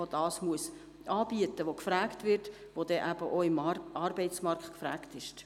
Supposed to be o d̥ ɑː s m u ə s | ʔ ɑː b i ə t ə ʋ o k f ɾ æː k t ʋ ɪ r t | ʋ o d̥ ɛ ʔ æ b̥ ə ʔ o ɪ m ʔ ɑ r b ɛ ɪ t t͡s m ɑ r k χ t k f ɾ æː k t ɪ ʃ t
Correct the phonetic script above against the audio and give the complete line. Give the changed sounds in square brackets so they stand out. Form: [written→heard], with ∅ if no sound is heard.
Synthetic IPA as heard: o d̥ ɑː s m u ə s | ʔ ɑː b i ə t ə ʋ o k f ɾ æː k t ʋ ɪ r t | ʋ o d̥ ɛ ʔ æ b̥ ə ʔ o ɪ m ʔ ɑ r b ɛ ɪ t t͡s m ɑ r k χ t k f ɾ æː k t ɪ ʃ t